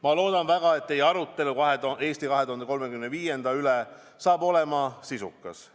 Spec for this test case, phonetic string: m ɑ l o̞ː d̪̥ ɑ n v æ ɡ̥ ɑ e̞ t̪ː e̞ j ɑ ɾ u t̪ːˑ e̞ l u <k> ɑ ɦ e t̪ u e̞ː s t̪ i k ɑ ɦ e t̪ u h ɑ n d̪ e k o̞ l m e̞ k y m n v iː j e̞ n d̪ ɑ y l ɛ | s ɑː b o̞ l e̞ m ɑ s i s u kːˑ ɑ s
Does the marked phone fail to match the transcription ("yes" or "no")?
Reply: no